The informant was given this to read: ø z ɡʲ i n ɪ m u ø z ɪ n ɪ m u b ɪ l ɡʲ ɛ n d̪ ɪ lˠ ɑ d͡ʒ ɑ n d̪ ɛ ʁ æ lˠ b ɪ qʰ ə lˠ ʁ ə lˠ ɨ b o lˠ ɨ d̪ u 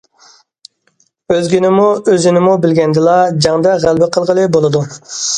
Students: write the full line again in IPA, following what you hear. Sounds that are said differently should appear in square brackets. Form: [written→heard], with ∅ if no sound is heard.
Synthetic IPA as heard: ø z ɡʲ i n ɪ m u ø z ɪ n ɪ m u b ɪ l ɡʲ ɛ n d̪ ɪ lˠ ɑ d͡ʒ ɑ [n→ŋ] d̪ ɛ ʁ æ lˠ b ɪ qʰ ə lˠ ʁ ə lˠ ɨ b o lˠ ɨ d̪ u